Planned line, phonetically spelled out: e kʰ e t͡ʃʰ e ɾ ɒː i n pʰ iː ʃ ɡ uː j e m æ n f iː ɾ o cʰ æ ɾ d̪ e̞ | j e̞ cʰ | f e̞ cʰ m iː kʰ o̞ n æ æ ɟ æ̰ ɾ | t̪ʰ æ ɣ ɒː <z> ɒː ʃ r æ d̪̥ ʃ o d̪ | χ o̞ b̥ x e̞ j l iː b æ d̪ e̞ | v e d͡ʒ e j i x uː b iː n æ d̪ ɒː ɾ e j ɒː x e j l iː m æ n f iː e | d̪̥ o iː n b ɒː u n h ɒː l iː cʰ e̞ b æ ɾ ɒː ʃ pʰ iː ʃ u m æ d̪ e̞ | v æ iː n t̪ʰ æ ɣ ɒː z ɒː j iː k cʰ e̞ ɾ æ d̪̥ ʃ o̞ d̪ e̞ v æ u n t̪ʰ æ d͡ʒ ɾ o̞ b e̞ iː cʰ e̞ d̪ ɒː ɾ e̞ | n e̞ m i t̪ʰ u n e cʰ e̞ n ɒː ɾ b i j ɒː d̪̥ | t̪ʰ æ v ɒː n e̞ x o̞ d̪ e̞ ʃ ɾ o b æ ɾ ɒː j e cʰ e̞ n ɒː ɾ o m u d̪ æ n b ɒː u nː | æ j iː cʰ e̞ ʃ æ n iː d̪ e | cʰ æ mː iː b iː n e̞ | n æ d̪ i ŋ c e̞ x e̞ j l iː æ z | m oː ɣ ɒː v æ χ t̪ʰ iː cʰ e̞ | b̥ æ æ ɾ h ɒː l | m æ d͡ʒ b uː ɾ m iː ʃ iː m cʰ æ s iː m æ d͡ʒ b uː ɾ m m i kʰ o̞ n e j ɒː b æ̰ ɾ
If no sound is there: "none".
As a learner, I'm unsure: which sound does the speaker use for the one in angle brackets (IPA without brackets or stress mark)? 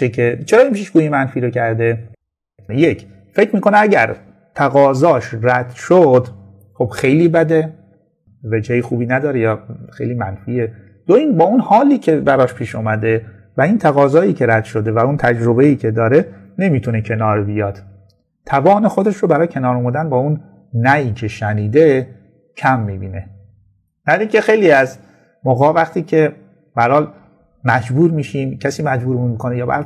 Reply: z